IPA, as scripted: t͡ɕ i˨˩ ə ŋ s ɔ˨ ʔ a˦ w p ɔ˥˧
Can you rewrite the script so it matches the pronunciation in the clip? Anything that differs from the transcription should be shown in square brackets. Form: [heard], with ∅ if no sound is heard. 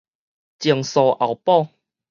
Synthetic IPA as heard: t͡ɕ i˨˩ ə ŋ s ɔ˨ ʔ [a˨˩] w p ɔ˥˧